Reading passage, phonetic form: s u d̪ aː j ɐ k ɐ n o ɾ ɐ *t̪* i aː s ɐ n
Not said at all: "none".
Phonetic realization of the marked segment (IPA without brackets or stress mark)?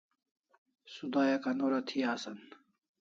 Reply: t̪ʰ